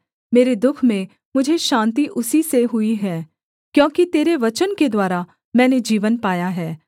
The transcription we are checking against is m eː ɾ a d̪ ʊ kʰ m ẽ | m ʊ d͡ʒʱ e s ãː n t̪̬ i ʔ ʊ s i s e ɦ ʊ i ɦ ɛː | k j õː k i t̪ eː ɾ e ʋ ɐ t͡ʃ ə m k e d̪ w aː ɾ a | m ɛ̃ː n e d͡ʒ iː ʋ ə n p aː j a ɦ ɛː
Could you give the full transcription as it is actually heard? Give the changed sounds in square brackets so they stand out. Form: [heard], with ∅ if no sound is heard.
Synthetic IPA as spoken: m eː ɾ [e] d̪ ʊ kʰ m ẽ | m ʊ d͡ʒʱ e [ʃ] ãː n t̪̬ i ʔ ʊ s i s e ɦ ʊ i ɦ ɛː | k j õː k i t̪ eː ɾ e ʋ ɐ t͡ʃ ə [n] k e d̪ w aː ɾ a | m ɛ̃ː n e d͡ʒ iː ʋ ə n p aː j a ɦ ɛː